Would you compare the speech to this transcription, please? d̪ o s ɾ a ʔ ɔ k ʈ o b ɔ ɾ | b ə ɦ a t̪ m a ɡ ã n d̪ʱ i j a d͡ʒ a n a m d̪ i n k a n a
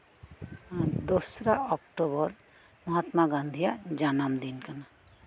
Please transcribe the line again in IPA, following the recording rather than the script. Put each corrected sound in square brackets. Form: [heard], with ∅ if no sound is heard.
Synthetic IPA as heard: d̪ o s ɾ a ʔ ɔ k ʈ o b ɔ ɾ | [m] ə ɦ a t̪ m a ɡ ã n d̪ʱ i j a d͡ʒ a n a m d̪ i n k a n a